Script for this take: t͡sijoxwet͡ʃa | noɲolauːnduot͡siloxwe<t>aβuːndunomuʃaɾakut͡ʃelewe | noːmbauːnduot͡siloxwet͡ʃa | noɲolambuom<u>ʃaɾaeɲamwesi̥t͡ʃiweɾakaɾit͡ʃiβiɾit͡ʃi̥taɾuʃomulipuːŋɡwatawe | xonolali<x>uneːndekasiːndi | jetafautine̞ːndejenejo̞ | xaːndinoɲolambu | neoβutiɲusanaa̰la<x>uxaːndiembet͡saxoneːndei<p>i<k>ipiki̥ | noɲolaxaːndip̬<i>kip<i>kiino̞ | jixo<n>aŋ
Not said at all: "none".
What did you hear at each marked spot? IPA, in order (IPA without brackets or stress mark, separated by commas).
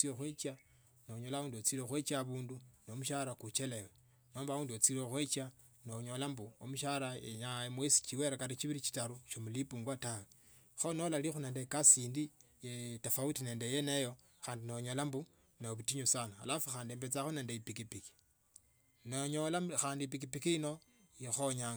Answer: t͡ʃ, u, x, f, p, k, i, i, ɲ